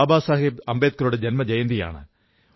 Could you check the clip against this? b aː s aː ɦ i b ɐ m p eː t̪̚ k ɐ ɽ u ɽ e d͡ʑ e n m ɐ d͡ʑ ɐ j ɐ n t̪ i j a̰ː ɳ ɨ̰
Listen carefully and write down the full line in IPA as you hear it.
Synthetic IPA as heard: b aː s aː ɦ i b ɐ m b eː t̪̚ k ɐ ɾ u ɽ e d͡ʑ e n m ɐ d͡ʑ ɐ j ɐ n d̪ i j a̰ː ɳ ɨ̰

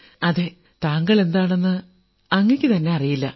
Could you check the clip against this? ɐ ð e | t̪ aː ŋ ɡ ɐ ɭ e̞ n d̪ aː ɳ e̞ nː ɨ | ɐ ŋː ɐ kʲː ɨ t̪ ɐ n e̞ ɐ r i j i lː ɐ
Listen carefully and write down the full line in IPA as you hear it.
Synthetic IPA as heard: ɐ ð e | t̪ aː ŋ ɡ ɐ ɭ e̞ n d̪ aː ɳ e̞ nː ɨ | ɐ ŋː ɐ kʲː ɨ t̪ ɐ nː e̞ ɐ r i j i lː ɐ

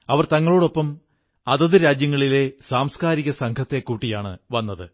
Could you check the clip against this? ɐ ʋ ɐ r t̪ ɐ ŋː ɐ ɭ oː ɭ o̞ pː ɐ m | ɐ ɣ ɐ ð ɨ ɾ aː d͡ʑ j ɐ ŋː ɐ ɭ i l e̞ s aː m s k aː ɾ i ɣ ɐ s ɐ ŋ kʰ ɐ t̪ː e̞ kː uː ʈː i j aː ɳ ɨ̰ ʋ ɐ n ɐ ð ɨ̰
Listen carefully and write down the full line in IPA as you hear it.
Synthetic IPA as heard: ɐ ʋ ɐ r t̪ ɐ ŋː ɐ ɭ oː ɽ o̞ pː ɐ m | ɐ ð ɐ ð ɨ ɾ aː d͡ʑ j ɐ ŋː ɐ ɭ i l e̞ s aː m s k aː ɾ i ɣ ɐ s ɐ ŋ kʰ ɐ t̪ː e̞ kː uː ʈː i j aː ɳ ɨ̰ ʋ ɐ nː ɐ ð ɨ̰

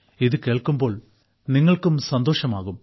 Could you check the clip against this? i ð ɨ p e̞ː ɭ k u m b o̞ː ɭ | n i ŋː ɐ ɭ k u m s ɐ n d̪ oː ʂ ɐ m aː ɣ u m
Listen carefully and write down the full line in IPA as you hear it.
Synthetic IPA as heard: i ð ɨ k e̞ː ɭ k u m b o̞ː ɭ | n i ŋː ɐ ɭ k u m s ɐ n d̪ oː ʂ ɐ m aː ɣ u m

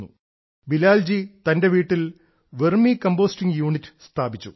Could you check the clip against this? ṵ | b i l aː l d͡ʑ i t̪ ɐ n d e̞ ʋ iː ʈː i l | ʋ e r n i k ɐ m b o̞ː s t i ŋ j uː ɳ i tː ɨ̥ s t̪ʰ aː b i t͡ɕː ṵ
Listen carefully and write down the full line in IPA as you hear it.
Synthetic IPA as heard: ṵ | b i l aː l d͡ʑ i t̪ ɐ n d e̞ ʋ iː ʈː i l | ʋ e r m i k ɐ m b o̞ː s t i ŋ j uː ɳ i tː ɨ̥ s t̪ʰ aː b i t͡ɕː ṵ

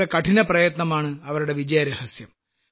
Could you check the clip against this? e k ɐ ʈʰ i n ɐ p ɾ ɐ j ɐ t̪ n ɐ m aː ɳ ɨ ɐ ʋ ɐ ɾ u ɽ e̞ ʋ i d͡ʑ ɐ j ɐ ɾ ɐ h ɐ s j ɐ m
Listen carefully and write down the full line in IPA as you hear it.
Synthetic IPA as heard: e k ɐ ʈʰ i n ɐ p r ɐ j ɐ t̪ n ɐ m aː ɳ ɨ ɐ ʋ ɐ ɾ u ɽ e̞ ʋ i d͡ʑ ɐ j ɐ ɾ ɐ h ɐ s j ɐ m

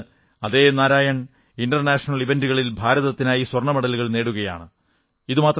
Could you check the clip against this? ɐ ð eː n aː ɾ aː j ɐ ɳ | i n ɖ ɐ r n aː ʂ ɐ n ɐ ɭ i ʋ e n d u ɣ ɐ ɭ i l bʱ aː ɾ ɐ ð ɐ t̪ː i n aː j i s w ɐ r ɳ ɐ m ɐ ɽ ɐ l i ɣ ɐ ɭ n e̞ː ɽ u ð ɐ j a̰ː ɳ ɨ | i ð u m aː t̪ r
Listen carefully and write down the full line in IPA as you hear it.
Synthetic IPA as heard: ɐ ð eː n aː ɾ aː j ɐ ɳ | i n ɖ ɐ r n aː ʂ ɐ n ɐ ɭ i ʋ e n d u ɣ ɐ ɭ i l bʱ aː ɾ ɐ ð ɐ t̪ː i n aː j i s w ɐ r ɳ ɐ m ɐ ɽ ɐ l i ɣ ɐ ɭ n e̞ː ɽ u ɣ ɐ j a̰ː ɳ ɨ | i ð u m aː t̪ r

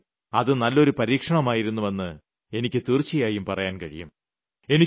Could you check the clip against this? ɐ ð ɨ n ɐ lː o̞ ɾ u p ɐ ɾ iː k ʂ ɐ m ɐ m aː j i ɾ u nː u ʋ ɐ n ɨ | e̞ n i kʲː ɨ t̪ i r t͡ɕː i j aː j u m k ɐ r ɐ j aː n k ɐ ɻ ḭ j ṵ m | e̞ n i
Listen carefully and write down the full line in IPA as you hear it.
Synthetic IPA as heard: ɐ ð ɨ n ɐ lː o̞ ɾ u p ɐ ɾ iː k ʂ ɐ ɳ ɐ m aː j i ɾ u nː u ʋ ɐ nː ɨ | e̞ n i kʲː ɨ t̪ i r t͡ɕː i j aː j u m p ɐ r ɐ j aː n k ɐ ɻ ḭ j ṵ m | e̞ n i

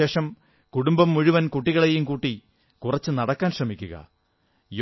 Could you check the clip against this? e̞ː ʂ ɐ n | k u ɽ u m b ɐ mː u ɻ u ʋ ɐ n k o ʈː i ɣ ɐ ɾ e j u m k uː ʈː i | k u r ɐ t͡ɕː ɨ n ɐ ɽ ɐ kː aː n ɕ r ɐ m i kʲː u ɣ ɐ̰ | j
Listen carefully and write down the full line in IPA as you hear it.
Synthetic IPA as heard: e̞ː ʂ ɐ m | k u ɽ u m b ɐ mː u ɻ u ʋ ɐ n k u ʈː i ɣ ɐ ɭ e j u m k uː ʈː i | k u r ɐ t͡ɕː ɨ n ɐ ɽ ɐ kː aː n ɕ r ɐ m i kʲː u ɣ ɐ̰ | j

